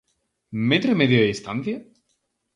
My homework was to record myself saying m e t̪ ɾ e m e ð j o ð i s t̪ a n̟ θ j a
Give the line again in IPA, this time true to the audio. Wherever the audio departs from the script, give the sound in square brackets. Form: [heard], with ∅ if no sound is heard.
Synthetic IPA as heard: m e t̪ ɾ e m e ð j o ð i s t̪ a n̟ θ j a